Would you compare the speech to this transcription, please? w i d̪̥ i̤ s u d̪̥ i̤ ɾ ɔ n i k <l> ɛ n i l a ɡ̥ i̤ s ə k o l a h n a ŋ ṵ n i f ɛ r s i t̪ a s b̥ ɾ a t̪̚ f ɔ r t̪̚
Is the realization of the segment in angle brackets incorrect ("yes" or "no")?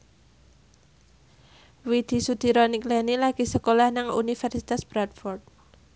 no